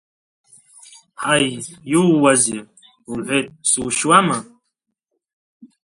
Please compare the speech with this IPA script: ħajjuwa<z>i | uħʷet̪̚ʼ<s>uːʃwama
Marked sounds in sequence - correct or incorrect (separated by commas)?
correct, correct